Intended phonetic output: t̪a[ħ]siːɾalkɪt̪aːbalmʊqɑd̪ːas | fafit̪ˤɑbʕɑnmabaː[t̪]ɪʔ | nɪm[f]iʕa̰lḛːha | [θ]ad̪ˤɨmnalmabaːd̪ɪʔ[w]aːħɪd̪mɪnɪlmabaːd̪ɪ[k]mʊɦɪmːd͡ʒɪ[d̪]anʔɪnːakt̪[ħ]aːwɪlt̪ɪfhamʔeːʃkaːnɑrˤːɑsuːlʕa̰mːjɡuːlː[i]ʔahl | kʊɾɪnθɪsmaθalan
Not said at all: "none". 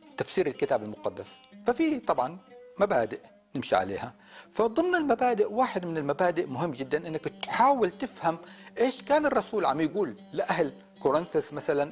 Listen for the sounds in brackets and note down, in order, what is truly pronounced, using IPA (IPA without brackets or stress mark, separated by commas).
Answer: f, d̪, ʃ, f, w, ʔ, d̪ː, ħ, ɪ